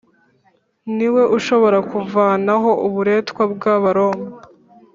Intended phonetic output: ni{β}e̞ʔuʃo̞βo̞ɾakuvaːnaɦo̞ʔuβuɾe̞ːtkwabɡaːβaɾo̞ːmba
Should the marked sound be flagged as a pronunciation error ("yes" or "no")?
yes